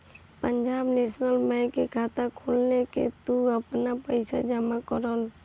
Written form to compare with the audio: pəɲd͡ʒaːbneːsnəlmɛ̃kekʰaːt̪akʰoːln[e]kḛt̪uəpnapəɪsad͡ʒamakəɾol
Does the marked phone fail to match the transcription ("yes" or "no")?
no